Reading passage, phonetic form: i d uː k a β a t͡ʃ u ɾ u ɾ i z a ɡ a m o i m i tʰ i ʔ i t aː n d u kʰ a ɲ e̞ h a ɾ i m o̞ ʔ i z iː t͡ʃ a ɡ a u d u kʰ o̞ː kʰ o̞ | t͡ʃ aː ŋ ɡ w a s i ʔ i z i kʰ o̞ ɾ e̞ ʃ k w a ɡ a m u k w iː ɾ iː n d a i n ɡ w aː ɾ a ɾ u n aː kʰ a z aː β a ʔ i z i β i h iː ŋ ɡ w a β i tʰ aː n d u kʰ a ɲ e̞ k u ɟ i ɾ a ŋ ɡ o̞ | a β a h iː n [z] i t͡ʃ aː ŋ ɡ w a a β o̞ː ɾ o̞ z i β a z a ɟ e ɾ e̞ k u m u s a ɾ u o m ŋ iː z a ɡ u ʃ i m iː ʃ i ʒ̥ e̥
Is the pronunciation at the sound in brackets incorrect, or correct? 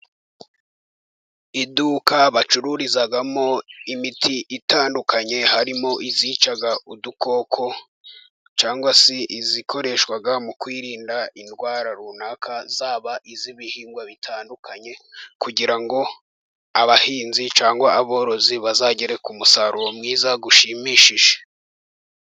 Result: correct